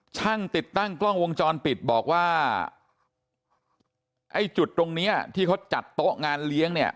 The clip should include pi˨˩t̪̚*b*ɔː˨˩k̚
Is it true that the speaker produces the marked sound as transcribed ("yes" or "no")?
yes